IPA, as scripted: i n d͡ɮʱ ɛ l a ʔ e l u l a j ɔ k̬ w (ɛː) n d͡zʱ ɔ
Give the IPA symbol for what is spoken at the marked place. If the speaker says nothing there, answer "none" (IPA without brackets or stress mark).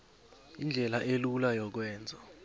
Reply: ɛː